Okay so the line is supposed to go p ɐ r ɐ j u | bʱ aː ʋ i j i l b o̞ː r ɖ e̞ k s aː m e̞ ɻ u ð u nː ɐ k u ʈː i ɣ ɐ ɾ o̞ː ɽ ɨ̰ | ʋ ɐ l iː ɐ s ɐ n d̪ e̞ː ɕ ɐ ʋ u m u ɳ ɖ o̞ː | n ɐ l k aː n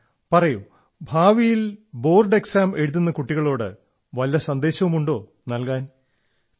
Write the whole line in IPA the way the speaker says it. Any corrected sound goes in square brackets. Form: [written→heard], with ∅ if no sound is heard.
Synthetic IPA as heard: p ɐ r ɐ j u | bʱ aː ʋ i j i l b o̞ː r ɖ e̞ k s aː m e̞ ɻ u ð u nː ɐ k u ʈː i ɣ ɐ [ɾ→ɭ] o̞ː ɽ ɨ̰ | ʋ ɐ l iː ɐ s ɐ n d̪ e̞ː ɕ ɐ ʋ u m u ɳ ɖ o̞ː | n ɐ l k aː n